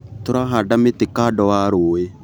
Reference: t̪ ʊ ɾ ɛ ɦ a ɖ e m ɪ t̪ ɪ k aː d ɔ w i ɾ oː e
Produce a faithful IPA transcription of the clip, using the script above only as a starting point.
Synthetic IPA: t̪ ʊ ɾ a ɦ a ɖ a m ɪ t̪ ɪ k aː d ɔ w a ɾ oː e